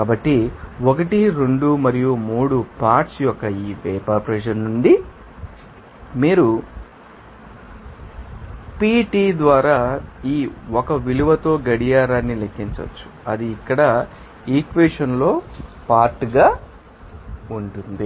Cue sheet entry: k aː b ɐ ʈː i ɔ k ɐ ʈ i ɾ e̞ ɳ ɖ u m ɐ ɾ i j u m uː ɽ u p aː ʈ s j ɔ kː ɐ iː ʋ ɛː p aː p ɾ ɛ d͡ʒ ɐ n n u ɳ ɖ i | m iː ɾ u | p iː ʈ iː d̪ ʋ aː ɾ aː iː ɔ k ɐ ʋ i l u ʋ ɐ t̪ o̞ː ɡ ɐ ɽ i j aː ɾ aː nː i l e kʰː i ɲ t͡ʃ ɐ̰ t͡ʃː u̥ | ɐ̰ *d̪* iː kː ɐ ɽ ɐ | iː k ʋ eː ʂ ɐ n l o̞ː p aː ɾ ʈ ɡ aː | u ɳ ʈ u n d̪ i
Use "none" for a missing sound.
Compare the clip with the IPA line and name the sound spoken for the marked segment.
d̪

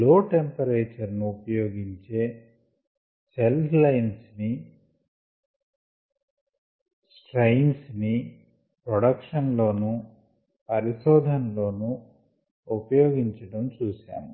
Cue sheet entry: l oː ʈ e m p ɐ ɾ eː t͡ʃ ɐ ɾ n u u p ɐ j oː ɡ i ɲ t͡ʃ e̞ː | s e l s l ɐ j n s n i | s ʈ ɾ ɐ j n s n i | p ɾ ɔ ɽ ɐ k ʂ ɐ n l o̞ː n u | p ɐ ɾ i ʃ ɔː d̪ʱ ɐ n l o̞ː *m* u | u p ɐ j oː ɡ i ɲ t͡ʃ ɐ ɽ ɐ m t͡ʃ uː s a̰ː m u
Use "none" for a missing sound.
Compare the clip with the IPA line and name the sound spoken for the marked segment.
n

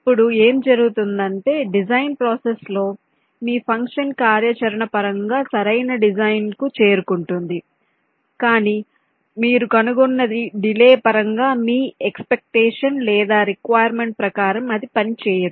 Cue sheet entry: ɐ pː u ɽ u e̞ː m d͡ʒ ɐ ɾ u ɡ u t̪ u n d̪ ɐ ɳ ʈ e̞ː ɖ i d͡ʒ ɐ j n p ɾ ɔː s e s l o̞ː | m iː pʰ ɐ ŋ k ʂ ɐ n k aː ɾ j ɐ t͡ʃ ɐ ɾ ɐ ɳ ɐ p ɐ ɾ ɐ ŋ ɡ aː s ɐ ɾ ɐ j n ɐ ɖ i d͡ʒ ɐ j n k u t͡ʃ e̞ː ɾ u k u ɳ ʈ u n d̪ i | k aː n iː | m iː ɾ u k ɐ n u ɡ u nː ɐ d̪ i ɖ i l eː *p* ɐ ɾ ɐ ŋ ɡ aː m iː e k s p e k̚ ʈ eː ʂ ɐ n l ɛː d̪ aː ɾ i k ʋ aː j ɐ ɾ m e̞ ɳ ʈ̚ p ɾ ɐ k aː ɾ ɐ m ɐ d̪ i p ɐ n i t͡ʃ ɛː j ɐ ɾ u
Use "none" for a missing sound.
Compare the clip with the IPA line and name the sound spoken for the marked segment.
p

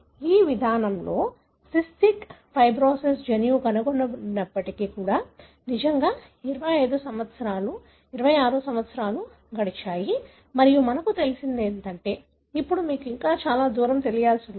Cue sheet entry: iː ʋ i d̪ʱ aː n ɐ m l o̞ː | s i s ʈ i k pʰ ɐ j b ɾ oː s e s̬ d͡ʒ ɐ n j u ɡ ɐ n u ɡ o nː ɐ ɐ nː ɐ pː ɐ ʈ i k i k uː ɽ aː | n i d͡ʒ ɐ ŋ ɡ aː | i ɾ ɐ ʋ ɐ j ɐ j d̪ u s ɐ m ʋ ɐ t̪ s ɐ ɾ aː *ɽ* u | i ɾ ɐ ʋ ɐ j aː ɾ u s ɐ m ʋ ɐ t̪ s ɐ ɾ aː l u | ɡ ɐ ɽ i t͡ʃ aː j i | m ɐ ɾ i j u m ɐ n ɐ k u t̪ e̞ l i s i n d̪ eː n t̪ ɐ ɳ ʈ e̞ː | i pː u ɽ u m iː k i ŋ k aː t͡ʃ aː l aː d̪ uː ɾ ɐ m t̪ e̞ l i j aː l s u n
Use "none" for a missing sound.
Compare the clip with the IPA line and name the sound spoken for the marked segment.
l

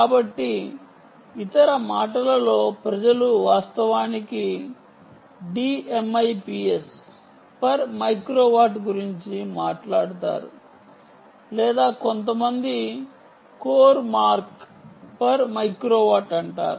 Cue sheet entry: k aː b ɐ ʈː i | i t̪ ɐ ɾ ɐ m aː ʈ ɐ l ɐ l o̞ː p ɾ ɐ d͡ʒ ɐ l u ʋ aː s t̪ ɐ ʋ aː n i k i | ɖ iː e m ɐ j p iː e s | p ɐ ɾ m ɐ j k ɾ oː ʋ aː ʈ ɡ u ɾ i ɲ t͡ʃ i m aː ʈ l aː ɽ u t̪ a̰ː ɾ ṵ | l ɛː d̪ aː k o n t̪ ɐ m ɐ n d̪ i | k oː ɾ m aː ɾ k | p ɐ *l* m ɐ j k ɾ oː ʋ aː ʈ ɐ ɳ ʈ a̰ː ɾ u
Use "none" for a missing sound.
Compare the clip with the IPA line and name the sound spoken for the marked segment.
ɾ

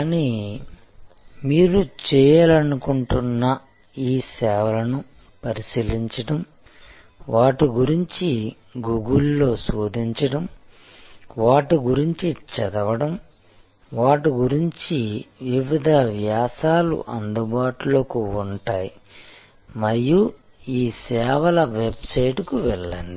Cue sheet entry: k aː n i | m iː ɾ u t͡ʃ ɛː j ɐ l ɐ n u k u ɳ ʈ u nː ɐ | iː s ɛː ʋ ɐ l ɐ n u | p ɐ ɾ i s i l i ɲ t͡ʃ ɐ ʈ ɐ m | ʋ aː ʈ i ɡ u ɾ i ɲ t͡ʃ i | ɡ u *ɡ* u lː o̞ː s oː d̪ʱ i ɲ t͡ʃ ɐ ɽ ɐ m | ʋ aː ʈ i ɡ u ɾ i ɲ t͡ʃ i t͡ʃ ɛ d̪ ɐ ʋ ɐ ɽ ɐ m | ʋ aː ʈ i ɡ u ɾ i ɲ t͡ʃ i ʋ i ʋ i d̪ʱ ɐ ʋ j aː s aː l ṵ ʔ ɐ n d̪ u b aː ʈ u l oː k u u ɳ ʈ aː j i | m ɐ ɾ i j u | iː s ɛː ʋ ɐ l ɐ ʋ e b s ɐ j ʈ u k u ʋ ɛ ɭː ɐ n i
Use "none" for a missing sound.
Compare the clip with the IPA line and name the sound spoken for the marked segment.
ɡ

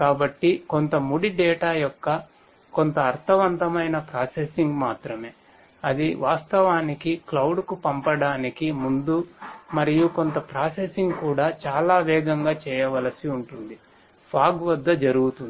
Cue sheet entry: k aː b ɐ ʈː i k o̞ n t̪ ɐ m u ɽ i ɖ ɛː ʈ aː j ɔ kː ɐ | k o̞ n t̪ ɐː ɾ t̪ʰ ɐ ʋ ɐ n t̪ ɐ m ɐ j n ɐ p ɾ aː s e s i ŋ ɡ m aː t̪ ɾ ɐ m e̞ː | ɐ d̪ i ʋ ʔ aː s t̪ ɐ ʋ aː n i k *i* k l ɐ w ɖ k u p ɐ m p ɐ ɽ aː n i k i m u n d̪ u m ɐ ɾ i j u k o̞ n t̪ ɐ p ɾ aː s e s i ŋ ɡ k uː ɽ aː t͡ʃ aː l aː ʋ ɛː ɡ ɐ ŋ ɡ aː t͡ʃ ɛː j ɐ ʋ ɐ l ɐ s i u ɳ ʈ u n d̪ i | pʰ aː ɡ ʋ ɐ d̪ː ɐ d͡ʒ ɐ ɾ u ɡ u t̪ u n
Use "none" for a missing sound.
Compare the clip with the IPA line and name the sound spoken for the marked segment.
i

